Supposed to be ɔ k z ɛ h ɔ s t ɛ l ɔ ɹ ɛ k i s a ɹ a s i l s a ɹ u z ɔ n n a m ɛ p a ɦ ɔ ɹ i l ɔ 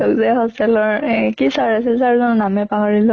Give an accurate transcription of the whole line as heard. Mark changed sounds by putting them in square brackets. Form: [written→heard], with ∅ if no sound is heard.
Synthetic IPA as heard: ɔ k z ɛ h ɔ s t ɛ l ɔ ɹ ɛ k i s a ɹ a s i l s a ɹ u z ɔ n n a m ɛ p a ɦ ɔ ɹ i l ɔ